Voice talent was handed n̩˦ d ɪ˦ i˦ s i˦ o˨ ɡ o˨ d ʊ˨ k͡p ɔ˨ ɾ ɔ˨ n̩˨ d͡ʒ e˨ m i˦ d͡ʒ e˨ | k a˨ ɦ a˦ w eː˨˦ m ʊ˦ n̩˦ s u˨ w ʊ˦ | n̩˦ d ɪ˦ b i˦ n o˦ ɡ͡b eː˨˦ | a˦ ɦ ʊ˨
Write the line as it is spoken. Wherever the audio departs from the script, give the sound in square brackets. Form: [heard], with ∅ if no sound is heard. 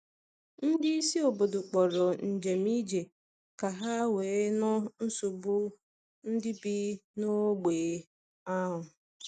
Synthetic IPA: n̩˦ d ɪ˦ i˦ s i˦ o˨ [b] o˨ d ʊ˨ k͡p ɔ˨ ɾ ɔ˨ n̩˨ d͡ʒ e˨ m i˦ d͡ʒ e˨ | k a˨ ɦ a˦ w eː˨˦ [n] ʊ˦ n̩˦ s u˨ [b] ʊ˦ | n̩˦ d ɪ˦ b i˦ n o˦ ɡ͡b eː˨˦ | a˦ ɦ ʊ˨